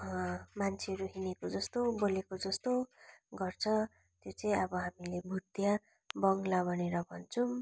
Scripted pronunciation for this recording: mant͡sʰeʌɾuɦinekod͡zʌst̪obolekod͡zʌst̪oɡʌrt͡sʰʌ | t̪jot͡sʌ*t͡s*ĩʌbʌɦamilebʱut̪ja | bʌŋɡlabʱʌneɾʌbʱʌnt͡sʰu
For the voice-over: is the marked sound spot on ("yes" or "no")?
no